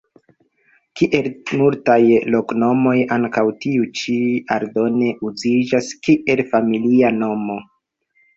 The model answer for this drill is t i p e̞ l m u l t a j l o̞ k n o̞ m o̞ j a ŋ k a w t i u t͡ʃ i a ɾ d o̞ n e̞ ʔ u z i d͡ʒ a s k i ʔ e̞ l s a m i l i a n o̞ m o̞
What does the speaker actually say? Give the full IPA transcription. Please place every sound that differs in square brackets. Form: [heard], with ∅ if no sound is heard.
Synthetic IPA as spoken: [k] i [ʔ] e̞ l m u l t a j l o̞ k n o̞ m o̞ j a ŋ k a w t i u t͡ʃ i a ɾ d o̞ n e̞ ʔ u z i d͡ʒ a s k i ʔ e̞ l [f] a m i l i a n o̞ m o̞